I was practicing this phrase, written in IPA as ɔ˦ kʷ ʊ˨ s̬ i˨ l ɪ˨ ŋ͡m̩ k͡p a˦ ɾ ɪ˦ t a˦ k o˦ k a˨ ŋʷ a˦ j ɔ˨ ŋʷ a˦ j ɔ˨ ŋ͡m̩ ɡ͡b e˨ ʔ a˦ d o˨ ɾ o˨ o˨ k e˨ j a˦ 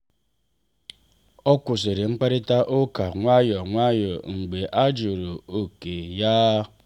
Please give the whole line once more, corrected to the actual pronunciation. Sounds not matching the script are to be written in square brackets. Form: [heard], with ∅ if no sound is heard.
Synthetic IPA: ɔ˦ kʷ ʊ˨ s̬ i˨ [ɾ] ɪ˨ ŋ͡m̩ k͡p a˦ ɾ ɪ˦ t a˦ [ʔ] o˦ k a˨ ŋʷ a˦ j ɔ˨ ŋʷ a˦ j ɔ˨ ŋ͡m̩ ɡ͡b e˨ ʔ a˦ [d͡ʒ] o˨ ɾ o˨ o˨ k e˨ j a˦